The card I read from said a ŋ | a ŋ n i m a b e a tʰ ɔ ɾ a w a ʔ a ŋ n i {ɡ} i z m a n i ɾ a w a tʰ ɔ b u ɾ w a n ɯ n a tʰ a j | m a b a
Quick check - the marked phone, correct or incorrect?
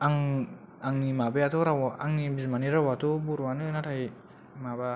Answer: incorrect: b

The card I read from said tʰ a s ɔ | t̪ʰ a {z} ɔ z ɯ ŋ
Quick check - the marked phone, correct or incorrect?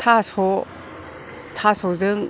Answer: incorrect: s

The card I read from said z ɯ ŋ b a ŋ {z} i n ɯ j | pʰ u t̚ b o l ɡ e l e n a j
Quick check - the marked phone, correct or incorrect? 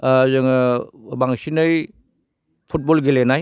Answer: incorrect: s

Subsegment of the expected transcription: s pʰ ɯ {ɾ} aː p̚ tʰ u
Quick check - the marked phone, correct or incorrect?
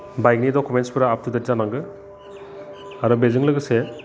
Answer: correct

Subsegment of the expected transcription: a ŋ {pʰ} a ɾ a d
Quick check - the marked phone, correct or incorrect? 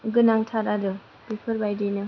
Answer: incorrect: tʰ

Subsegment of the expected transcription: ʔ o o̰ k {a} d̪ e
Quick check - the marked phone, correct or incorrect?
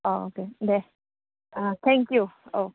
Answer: incorrect: e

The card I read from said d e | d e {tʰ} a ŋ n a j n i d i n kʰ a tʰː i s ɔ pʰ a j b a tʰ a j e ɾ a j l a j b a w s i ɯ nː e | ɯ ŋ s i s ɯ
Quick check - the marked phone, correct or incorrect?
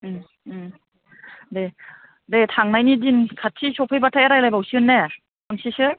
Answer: correct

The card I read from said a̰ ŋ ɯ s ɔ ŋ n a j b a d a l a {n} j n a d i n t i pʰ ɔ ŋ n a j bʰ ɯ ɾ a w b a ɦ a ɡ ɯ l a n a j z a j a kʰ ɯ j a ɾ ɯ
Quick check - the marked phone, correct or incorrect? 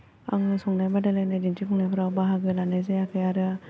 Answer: incorrect: none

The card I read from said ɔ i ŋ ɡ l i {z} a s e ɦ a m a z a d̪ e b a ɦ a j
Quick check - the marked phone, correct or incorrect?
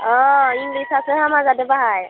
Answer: incorrect: s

